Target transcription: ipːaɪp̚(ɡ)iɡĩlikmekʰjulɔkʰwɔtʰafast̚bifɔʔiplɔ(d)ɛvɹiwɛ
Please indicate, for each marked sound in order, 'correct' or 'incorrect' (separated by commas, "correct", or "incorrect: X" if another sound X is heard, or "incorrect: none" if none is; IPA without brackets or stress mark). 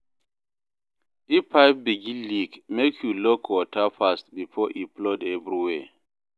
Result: incorrect: b, correct